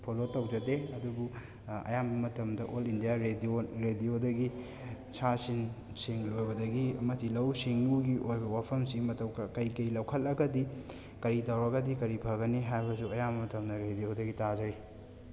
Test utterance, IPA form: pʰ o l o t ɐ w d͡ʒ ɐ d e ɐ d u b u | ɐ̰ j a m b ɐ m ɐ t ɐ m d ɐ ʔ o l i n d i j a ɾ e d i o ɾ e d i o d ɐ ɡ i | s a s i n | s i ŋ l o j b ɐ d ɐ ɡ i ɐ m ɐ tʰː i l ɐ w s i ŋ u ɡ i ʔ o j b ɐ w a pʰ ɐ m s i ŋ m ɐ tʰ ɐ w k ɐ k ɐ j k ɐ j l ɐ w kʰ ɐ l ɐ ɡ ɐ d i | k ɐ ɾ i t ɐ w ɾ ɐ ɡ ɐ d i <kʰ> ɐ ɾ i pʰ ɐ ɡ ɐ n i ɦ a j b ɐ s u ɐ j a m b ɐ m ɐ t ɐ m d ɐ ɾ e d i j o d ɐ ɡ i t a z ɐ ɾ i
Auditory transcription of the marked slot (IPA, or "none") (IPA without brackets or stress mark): k